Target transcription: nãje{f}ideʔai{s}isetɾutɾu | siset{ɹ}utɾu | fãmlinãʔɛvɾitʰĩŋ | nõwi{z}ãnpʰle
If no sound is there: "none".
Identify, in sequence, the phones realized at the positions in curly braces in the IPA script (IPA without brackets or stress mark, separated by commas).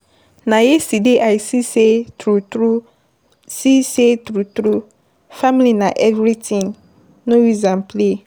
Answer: s, s, ɾ, z